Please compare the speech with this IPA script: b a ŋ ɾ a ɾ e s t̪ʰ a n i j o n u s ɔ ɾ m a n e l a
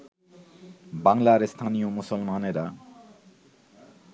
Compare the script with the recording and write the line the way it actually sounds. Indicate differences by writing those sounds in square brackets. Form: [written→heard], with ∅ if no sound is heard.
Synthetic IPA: b a ŋ [ɾ→l] a ɾ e s t̪ʰ a n i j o [n→m] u s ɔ [ɾ→l] m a n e [l→ɾ] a